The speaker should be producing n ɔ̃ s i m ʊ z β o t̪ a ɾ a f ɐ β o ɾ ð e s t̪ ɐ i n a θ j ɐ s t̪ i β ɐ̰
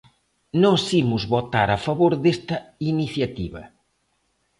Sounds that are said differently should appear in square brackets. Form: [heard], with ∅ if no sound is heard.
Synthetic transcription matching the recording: n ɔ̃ s i m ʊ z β o t̪ a ɾ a f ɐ β o ɾ ð e s t̪ ɐ i n [i] θ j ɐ [∅] t̪ i β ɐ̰